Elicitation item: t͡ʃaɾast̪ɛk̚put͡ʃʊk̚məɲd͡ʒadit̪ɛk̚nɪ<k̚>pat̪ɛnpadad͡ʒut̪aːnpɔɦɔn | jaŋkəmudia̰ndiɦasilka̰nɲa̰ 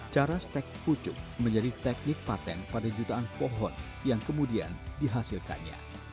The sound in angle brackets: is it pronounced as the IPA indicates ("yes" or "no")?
yes